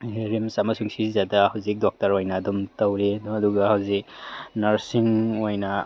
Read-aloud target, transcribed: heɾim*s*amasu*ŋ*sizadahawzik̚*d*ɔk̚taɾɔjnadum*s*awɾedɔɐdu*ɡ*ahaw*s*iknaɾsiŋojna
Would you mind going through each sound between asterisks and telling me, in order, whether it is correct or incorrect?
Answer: correct, correct, correct, incorrect: t, correct, incorrect: z

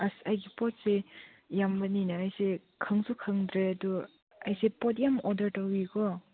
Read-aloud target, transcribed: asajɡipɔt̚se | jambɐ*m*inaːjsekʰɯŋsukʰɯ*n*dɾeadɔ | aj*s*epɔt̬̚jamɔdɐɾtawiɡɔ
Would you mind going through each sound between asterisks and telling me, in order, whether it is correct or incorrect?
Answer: incorrect: n, incorrect: ŋ, correct

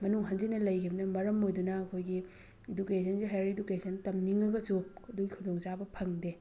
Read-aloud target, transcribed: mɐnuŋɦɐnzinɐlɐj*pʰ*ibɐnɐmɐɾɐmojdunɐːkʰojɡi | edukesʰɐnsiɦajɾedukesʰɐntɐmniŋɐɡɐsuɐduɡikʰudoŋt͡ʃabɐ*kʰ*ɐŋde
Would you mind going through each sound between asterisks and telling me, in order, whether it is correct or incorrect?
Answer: incorrect: kʰ, incorrect: pʰ

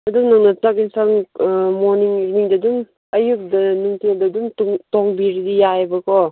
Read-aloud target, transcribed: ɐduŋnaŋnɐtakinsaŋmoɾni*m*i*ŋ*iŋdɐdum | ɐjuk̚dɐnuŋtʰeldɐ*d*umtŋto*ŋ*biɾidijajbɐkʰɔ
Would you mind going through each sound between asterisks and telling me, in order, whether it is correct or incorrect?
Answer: incorrect: ŋ, incorrect: n, correct, correct

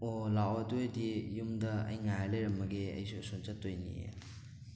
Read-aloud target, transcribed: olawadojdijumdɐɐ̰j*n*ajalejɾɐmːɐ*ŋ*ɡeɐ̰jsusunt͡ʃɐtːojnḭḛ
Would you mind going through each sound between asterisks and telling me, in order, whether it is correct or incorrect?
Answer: incorrect: ŋ, incorrect: none

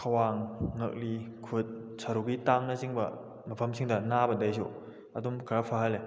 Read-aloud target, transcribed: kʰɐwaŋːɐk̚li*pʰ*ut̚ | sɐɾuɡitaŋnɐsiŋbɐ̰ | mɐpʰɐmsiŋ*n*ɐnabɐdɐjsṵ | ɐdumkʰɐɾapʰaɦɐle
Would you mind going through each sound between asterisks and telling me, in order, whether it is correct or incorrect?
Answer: incorrect: kʰ, incorrect: d

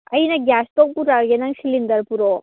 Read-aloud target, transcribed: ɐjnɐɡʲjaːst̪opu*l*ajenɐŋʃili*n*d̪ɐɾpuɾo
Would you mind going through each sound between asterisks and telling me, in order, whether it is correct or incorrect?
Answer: incorrect: ɾ, correct

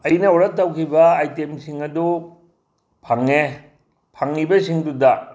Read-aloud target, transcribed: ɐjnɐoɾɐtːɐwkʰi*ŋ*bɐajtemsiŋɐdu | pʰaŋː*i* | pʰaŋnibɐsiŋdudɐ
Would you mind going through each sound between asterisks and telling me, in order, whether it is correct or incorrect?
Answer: incorrect: none, incorrect: e

